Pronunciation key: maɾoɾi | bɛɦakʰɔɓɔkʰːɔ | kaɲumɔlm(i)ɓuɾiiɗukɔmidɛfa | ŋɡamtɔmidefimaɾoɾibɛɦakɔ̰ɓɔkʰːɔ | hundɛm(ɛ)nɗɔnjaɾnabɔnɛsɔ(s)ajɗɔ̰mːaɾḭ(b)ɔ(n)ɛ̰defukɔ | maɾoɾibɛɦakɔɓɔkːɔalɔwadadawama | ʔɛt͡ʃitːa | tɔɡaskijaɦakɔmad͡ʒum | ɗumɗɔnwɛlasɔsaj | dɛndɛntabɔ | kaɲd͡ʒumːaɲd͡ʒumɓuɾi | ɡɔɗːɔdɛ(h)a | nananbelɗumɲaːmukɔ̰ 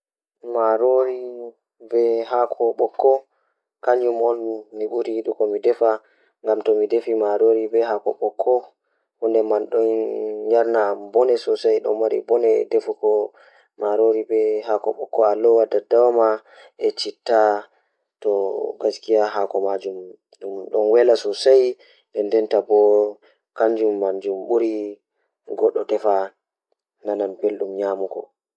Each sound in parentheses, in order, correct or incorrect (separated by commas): correct, incorrect, correct, correct, correct, incorrect